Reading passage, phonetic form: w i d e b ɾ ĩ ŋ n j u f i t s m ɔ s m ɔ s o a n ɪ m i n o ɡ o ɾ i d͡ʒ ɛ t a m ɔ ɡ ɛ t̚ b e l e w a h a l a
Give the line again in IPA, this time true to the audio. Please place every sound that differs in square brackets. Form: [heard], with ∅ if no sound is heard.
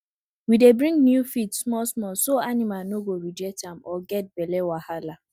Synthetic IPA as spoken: w i d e b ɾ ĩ ŋ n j u f i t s m ɔ s m ɔ s o a n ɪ m [a] n o ɡ o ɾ i d͡ʒ ɛ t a m ɔ ɡ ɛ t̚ b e l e w a h a l a

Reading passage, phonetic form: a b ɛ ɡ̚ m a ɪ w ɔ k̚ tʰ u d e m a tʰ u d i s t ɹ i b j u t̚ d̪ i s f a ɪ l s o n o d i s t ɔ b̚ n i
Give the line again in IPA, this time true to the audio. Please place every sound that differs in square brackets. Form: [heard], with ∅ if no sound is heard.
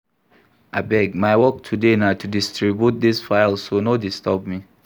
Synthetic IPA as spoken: a b ɛ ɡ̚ m a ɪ w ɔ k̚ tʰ u d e [n] a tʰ u d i s t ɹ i b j u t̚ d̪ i s f a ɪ l s o n o d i s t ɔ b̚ [m] i

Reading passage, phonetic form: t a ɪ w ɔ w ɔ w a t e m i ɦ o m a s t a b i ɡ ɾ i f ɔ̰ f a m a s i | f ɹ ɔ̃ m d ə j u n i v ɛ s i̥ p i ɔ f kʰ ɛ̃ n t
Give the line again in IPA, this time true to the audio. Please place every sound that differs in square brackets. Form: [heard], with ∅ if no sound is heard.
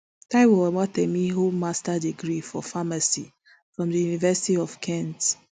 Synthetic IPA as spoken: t a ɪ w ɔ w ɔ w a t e m i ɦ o m a s t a [d] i ɡ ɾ i f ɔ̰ f a m a s i | f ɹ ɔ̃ m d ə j u n i v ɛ s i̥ [t] i ɔ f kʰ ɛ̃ n t

